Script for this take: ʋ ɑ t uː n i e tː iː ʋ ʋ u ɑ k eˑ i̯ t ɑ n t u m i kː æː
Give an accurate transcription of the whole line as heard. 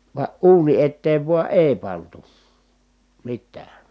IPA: ʋ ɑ ʔ uː n i e tː eː ʋ ʋ u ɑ ʔ eˑ i̯ p ɑ n t u m i tː æː